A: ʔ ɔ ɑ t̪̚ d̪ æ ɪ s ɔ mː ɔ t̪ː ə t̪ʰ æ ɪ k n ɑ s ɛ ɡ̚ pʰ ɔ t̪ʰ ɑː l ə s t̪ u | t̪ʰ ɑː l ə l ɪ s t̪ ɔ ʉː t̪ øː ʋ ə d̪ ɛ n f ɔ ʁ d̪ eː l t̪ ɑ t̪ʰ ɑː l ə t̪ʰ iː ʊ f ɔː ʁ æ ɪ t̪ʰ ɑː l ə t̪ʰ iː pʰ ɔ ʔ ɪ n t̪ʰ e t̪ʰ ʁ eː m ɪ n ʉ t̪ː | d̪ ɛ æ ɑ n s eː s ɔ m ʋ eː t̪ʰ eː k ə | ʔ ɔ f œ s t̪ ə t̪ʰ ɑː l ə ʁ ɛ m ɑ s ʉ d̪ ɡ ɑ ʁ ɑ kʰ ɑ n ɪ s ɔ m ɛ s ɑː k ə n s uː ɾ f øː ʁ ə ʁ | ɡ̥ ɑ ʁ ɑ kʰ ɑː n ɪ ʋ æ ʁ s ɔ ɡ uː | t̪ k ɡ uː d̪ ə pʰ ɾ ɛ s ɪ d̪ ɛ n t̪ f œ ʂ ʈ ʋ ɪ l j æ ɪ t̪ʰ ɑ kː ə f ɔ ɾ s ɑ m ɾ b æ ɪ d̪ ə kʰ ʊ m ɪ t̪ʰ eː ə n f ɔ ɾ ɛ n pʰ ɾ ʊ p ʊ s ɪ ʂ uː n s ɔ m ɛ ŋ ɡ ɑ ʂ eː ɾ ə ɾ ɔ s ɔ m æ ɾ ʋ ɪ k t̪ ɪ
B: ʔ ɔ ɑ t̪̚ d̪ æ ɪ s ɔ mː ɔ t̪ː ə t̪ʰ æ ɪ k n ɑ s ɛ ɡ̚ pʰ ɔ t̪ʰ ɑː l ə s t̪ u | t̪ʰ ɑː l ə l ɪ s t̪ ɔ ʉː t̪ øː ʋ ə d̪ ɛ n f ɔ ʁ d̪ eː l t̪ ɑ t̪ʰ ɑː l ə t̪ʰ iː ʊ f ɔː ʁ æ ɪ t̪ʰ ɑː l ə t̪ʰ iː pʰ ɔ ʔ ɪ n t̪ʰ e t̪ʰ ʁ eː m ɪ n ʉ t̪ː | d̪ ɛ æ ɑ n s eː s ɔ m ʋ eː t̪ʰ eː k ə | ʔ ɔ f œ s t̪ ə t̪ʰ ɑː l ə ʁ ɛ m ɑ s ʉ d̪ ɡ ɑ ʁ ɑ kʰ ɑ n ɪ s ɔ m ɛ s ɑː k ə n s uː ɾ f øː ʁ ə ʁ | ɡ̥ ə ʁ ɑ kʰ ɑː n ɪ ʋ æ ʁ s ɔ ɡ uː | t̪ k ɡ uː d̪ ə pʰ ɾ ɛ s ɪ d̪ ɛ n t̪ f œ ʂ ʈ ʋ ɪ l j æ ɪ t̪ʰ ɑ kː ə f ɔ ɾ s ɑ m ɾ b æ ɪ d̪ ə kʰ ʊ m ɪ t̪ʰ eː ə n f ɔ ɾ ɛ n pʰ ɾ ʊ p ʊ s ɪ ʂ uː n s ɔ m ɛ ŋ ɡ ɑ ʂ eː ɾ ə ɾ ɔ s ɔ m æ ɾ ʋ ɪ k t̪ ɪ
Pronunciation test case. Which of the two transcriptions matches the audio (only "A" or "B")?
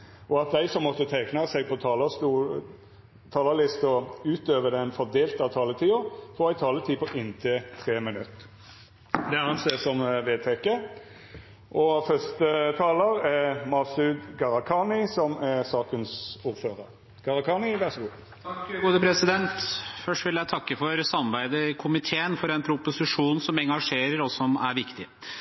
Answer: A